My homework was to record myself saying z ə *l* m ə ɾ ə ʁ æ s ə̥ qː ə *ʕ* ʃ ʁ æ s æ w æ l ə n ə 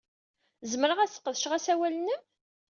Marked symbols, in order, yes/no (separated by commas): no, no